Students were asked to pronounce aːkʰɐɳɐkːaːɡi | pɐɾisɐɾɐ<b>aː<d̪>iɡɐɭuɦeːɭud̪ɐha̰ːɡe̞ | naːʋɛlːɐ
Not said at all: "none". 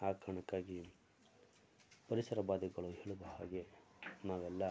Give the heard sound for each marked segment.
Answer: b, d̪

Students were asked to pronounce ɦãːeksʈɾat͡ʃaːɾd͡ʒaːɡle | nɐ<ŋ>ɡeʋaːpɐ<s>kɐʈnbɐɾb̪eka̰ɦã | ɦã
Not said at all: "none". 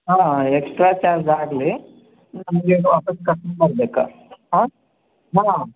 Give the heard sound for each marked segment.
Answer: m, s

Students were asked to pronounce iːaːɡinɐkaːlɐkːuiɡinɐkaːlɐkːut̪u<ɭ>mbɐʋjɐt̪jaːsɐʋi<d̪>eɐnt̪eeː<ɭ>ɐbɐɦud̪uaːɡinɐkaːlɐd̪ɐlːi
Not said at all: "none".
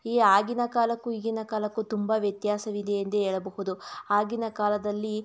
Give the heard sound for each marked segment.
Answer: none, d̪, ɭ

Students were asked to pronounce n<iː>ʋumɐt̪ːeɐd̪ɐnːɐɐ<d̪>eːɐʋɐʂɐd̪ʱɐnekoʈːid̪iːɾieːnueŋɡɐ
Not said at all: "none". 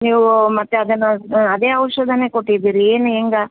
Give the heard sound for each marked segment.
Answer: iː, d̪

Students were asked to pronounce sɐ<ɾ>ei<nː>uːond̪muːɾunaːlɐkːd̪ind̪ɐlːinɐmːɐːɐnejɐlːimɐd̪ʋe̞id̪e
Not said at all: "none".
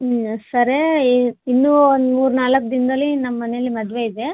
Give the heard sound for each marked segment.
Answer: ɾ, nː

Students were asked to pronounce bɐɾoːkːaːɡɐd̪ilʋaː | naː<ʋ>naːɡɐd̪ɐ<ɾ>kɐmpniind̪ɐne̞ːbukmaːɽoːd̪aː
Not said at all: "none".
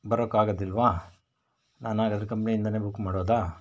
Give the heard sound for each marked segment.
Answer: none, ɾ

